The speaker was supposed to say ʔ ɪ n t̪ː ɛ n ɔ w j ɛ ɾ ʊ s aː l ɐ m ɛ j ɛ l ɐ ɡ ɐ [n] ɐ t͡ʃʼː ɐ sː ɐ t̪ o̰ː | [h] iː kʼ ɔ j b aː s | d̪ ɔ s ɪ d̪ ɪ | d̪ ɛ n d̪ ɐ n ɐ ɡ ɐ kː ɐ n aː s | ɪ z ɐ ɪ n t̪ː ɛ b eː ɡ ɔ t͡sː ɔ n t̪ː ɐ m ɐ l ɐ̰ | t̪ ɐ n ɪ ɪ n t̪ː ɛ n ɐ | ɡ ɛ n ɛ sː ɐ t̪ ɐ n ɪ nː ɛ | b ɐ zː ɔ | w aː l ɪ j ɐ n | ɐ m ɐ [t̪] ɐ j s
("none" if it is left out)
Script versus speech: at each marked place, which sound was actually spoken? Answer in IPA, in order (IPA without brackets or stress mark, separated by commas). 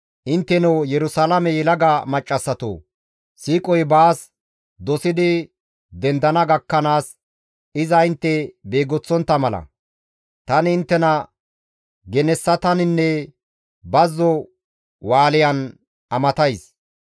m, s, t̪